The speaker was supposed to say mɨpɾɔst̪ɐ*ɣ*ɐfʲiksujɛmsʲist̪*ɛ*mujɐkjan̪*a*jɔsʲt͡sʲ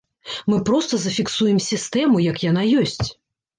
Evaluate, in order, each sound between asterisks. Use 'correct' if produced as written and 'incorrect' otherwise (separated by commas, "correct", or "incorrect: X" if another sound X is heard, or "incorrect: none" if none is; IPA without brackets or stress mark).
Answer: incorrect: z, correct, correct